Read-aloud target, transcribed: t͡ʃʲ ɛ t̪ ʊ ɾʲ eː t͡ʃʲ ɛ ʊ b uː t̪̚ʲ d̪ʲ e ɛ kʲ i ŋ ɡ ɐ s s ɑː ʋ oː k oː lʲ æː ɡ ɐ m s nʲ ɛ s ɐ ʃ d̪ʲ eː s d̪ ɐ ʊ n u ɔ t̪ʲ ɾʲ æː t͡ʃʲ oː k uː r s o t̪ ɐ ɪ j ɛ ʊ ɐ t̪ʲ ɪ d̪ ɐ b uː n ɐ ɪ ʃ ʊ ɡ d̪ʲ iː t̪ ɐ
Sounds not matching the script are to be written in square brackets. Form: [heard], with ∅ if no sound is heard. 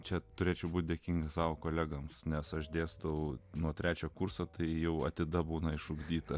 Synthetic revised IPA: t͡ʃʲ ɛ t̪ ʊ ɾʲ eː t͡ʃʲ ɛ ʊ b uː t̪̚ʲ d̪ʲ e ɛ kʲ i ŋ ɡ ɐ s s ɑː ʋ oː k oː lʲ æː ɡ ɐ m s nʲ ɛ s ɐ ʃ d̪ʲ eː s d̪ ɐ ʊ n u ɔ t̪ʲ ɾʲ æː t͡ʃʲ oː k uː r s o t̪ ɐ ɪ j ɛ ʊ ɐ t̪ʲ ɪ d̪ ɐ b uː n ɐ ɪ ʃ ʊ ɡ d̪ʲ iː t̪ ɐ

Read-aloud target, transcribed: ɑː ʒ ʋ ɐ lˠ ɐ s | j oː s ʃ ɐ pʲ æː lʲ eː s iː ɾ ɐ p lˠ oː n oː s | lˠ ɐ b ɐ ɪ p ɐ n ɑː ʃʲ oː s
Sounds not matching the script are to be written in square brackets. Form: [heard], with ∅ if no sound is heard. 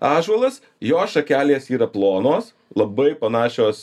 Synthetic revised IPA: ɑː ʒ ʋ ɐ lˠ ɐ s | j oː s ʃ ɐ [kʲ] æː lʲ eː s iː ɾ ɐ p lˠ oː n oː s | lˠ ɐ b ɐ ɪ p ɐ n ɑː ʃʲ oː s

